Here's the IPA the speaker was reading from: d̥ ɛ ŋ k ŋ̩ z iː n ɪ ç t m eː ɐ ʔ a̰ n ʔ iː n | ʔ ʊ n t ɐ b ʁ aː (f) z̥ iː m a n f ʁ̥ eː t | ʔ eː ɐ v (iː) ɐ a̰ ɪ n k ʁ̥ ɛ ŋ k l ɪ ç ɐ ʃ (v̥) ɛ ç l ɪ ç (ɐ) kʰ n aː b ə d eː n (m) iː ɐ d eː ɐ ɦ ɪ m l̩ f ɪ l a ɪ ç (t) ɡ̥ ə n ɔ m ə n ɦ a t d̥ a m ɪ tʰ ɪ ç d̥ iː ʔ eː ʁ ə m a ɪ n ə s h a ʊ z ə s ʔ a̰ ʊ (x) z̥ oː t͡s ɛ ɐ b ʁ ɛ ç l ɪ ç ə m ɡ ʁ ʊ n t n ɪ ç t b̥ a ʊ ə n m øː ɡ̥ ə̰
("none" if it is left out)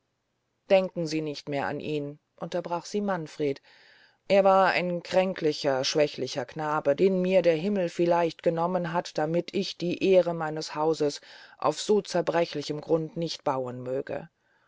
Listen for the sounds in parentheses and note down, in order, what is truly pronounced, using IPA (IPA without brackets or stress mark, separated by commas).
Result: χ, aː, v̥, ɐ, m, t, f